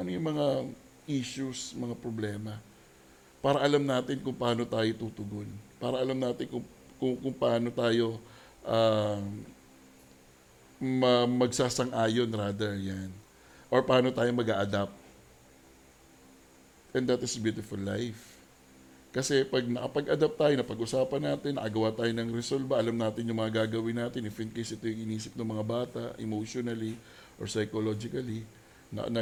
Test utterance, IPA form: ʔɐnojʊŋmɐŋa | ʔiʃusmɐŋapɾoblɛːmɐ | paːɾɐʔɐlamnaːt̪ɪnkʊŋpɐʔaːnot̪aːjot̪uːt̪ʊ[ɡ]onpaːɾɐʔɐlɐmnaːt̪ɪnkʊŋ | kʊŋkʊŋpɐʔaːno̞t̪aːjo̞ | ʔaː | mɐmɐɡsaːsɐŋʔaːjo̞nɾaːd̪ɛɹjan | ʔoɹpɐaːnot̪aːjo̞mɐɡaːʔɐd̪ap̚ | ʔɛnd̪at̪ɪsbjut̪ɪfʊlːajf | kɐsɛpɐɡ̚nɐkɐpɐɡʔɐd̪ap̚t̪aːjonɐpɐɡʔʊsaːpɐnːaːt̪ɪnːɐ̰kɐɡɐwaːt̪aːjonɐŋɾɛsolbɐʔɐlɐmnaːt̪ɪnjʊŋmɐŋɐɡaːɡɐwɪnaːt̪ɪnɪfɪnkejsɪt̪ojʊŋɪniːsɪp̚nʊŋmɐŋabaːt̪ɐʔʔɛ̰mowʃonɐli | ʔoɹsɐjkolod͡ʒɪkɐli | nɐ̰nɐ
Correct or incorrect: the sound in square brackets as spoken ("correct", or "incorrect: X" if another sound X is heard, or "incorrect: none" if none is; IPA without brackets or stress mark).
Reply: correct